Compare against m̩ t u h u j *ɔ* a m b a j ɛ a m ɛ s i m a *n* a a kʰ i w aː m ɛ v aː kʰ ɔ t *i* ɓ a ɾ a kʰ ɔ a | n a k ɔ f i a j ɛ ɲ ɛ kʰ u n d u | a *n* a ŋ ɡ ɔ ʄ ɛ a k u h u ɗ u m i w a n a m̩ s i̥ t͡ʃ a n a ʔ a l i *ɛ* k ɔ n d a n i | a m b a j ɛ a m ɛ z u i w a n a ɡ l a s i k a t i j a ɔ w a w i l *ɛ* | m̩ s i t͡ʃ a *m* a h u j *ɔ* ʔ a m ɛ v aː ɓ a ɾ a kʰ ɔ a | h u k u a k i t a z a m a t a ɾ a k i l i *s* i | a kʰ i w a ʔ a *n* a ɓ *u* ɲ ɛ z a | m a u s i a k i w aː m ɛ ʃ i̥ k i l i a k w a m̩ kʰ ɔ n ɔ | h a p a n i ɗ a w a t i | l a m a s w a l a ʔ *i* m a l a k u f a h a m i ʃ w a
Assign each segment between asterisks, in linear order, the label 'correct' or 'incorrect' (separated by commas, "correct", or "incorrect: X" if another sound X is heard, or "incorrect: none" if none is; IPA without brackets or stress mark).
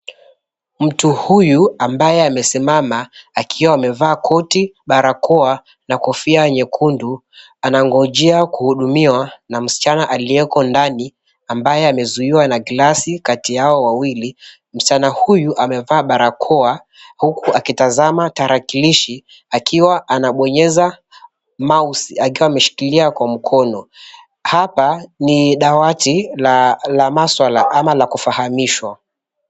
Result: incorrect: u, incorrect: m, correct, correct, correct, incorrect: i, incorrect: n, incorrect: u, incorrect: ʃ, correct, incorrect: ɔ, incorrect: a